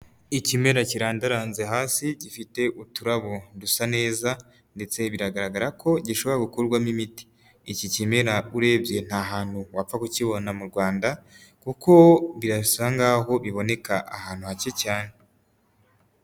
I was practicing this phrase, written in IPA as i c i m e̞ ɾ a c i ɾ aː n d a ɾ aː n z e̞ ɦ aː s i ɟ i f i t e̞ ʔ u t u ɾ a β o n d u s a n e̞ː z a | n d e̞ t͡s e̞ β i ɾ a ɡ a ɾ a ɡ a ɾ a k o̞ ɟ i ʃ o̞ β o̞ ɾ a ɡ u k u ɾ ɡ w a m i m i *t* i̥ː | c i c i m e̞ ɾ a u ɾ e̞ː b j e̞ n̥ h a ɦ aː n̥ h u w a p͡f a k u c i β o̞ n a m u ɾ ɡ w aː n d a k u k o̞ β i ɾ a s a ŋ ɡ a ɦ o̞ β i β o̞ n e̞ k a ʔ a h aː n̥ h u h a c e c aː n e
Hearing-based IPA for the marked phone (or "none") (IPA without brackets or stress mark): t